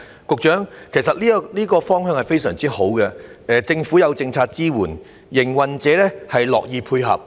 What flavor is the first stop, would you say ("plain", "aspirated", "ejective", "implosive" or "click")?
plain